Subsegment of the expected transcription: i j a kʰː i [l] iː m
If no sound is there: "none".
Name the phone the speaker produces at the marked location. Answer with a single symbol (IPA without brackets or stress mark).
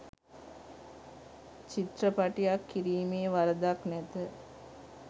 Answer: ɾ